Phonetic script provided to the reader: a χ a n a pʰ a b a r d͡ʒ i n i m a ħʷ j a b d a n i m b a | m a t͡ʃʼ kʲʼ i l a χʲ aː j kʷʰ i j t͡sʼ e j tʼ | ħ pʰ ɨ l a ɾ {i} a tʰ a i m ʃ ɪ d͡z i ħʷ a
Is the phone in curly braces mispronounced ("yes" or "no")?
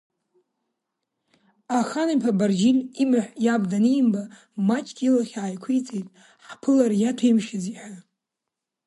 yes